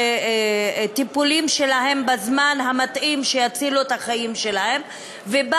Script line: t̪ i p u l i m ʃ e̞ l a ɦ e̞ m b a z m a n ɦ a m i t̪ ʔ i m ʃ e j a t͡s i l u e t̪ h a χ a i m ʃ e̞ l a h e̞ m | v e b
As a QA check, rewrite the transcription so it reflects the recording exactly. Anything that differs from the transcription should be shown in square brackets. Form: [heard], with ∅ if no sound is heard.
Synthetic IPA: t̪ i p u l i m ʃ e̞ l a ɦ e̞ m b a z m a n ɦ a m [a] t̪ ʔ i m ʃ e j a t͡s i l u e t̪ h a χ a i m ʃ e̞ l a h e̞ m | v e b